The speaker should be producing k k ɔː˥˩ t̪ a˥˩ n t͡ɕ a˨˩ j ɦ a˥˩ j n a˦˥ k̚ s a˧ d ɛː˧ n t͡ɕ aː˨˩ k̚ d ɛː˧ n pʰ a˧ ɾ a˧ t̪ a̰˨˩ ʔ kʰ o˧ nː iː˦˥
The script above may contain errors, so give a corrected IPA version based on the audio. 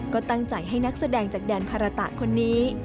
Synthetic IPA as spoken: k k ɔː˥˩ t̪ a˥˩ ŋ t͡ɕ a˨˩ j ɦ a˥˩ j n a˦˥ k̚ s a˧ d ɛː˧ ŋ t͡ɕ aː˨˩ k̚ d ɛː˧ n pʰ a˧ ɾ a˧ t̪ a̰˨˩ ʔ kʰ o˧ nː iː˦˥